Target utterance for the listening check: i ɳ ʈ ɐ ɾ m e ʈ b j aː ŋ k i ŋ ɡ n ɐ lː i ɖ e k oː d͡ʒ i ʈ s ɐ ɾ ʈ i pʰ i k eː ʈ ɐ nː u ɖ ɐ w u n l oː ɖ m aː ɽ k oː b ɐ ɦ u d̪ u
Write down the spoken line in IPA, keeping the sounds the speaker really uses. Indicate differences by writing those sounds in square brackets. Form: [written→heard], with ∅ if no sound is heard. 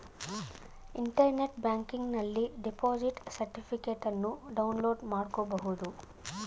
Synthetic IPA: i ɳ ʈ ɐ ɾ [m→n] e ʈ b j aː ŋ k i ŋ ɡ n ɐ lː i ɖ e [k→p] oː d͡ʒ i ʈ s ɐ ɾ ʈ i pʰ i k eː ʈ ɐ nː u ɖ ɐ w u n l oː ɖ m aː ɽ k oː b ɐ ɦ u d̪ u